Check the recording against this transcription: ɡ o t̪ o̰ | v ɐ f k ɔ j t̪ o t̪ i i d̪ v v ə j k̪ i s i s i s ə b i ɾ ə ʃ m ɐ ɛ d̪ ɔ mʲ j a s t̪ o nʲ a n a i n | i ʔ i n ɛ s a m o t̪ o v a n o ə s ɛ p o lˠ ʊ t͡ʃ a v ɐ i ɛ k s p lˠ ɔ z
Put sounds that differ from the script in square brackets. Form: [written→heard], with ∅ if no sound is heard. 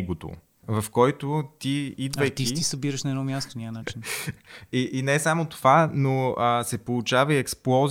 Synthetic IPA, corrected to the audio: ɡ o t̪ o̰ | v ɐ f k ɔ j t̪ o t̪ i i d̪ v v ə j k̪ i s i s i s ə b i ɾ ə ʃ [m→n] ɐ ɛ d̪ ɔ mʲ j a s t̪ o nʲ a n a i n | i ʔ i n ɛ s a m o t̪ o v a n o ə s ɛ p o lˠ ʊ t͡ʃ a v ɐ i ɛ k s p lˠ ɔ z